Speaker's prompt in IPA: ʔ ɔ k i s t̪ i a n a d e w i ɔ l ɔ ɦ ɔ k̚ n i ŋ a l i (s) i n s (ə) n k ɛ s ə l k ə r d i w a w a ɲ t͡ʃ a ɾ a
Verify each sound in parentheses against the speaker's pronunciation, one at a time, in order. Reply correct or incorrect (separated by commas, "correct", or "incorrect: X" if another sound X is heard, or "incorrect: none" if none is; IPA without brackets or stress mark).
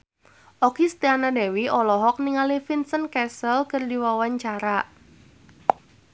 incorrect: f, correct